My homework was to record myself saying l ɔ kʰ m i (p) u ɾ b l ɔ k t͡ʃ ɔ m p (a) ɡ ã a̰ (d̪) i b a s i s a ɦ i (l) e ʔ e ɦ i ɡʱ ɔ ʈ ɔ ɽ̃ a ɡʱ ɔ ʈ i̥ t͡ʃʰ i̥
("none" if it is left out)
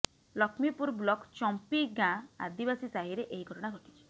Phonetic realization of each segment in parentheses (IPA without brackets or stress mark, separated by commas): p, i, d̪, ɾ